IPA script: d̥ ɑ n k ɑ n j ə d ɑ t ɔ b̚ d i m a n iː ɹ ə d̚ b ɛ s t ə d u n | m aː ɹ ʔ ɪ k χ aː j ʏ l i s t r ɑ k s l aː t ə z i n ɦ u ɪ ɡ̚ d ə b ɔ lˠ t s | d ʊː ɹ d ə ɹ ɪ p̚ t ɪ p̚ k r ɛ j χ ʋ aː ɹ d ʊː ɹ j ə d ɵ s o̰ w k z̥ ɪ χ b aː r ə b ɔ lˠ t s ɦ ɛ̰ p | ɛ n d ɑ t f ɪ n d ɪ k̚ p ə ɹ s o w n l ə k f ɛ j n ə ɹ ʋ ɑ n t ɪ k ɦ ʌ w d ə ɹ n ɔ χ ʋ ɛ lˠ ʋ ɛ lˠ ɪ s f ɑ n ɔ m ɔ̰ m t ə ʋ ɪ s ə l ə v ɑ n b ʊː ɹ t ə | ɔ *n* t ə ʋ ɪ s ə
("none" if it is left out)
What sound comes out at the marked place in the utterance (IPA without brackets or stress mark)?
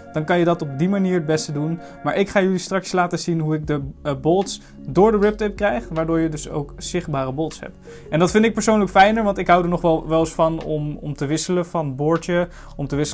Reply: m